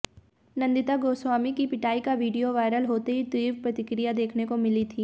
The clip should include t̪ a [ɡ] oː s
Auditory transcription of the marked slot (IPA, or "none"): ɡ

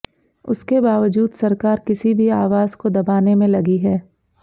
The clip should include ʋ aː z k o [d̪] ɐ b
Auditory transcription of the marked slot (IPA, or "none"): d̪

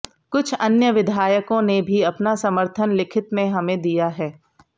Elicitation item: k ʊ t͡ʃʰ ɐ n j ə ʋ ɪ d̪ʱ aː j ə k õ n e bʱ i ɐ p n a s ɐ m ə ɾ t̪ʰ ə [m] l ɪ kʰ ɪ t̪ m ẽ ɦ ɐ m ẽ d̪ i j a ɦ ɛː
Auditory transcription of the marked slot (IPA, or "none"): n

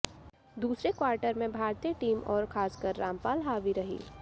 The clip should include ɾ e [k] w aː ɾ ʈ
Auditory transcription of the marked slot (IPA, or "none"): k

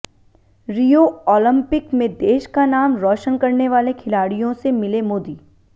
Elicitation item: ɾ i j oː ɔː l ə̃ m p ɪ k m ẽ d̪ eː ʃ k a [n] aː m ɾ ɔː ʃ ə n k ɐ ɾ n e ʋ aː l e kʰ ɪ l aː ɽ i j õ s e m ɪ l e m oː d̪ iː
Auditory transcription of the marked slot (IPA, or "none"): n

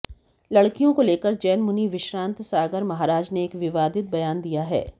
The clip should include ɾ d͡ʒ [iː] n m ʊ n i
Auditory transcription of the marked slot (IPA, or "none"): ɛː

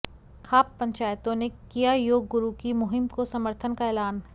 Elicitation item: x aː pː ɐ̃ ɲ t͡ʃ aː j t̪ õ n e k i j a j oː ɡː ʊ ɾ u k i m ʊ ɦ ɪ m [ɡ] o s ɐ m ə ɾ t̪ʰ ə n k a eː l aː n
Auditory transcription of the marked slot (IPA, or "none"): k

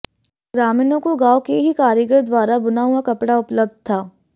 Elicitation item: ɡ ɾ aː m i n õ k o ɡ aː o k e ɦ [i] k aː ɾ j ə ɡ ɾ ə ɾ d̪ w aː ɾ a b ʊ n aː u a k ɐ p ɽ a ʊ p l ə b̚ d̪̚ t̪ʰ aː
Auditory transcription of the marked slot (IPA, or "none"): i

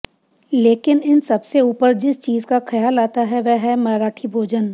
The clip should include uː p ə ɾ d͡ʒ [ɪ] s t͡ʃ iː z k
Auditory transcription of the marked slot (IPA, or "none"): ɪ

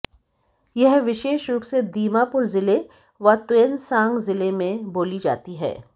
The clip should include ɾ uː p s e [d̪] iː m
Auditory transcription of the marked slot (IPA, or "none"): d̪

